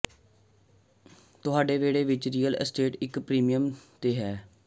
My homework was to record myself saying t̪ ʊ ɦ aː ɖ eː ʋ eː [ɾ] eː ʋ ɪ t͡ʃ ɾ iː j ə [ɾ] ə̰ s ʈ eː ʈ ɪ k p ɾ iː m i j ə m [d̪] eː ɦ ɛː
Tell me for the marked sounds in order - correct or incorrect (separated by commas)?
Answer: incorrect, incorrect, incorrect